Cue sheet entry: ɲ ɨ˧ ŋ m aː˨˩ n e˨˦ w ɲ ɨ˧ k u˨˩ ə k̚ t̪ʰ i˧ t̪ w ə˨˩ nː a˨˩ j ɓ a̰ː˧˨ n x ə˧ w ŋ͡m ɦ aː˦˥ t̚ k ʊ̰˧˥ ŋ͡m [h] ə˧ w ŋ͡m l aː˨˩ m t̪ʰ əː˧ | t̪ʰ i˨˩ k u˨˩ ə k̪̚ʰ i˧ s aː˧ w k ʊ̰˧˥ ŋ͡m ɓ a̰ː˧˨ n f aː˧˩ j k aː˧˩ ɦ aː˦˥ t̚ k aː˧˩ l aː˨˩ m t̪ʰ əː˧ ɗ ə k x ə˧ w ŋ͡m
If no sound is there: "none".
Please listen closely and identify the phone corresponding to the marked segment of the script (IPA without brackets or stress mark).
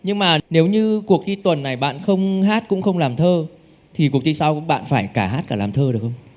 x